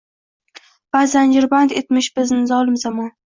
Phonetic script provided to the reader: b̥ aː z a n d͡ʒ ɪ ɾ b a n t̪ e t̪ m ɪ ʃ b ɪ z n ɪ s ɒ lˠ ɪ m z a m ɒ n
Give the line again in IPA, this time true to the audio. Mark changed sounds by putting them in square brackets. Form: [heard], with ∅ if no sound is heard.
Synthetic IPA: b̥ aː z a n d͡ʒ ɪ ɾ b a n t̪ e t̪ m ɪ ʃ b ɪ z n ɪ [z] ɒ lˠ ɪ m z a m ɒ n